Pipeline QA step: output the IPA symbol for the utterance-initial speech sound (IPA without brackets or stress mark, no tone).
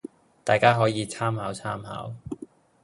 t̪